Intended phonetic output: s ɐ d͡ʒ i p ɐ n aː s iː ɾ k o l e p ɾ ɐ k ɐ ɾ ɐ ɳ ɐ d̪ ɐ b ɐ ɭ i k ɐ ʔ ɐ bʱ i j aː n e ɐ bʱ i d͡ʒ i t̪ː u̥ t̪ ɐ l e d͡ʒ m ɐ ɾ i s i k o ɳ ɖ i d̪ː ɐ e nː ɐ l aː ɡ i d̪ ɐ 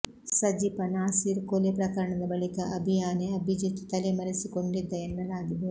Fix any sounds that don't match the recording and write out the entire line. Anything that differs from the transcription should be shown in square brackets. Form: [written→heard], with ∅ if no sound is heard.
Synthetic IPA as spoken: s ɐ d͡ʒ i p ɐ n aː s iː ɾ k o l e p ɾ ɐ k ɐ ɾ ɐ ɳ ɐ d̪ ɐ b ɐ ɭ i k ɐ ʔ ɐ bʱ i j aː n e ɐ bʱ i d͡ʒ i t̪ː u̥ t̪ ɐ l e [d͡ʒ→∅] m ɐ ɾ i s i k o ɳ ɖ i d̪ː ɐ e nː ɐ l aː ɡ i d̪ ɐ